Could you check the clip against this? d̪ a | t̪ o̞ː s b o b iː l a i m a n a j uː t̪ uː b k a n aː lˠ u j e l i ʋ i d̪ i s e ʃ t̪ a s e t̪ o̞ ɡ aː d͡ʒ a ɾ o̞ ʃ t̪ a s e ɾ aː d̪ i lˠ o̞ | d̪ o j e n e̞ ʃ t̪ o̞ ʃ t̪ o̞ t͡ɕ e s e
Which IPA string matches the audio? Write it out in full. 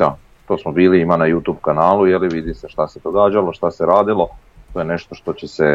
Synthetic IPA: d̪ a | t̪ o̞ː s m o b iː l i i m a n a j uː t̪ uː b k a n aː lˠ u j e l i ʋ i d̪ i s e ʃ t̪ a s e d̪ o̞ ɡ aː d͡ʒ a l o̞ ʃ t̪ a s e ɾ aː d̪ i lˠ o̞ | t̪ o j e n e̞ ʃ t̪ o̞ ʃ t̪ o̞ t͡ɕ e s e